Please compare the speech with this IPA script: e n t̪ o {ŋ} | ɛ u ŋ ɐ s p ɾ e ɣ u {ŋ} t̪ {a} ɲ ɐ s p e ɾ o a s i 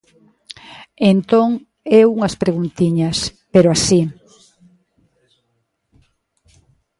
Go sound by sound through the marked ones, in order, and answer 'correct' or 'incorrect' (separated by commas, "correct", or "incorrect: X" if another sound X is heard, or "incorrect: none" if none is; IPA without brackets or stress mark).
correct, incorrect: n, incorrect: i